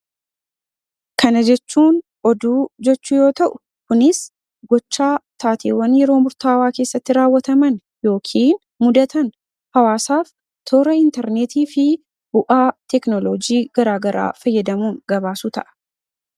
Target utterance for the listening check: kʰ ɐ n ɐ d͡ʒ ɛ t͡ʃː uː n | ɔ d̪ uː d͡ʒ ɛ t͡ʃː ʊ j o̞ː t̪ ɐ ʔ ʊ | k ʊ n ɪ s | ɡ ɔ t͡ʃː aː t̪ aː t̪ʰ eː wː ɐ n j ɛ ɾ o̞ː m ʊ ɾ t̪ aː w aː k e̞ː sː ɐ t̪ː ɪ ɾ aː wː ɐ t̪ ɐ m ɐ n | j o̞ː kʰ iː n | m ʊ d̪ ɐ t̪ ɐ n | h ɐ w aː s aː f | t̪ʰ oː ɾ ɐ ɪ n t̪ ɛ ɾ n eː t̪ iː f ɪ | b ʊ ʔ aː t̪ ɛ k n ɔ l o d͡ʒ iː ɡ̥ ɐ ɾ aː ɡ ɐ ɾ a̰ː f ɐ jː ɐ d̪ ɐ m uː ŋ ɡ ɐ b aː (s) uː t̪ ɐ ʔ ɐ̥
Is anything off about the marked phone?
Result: no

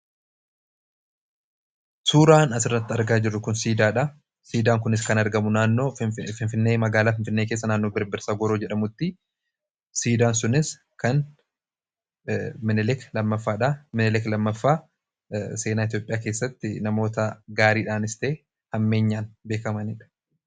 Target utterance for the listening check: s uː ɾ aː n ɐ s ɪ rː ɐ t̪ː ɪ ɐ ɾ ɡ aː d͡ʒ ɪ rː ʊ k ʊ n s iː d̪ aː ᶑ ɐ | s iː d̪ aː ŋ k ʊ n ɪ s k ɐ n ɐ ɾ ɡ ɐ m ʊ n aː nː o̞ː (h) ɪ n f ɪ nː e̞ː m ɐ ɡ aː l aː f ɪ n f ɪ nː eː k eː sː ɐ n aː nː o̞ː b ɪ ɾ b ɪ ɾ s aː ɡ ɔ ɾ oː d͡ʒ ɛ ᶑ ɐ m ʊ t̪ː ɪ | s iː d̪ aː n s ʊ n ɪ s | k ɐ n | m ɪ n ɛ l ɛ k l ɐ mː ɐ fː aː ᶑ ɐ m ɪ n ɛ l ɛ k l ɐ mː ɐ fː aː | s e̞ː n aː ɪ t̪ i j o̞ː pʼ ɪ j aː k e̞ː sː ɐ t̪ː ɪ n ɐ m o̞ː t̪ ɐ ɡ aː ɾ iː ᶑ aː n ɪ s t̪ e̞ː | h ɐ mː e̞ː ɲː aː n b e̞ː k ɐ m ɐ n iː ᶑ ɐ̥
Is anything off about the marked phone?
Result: yes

